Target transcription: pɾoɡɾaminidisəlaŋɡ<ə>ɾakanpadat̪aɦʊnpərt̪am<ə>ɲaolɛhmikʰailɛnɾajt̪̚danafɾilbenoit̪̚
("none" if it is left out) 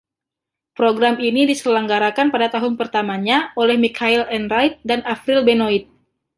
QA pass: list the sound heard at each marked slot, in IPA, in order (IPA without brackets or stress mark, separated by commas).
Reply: a, a